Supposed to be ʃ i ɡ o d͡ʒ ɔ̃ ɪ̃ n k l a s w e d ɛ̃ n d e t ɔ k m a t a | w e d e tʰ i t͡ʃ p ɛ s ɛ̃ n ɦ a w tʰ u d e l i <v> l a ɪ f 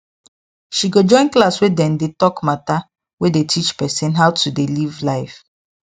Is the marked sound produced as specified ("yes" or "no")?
yes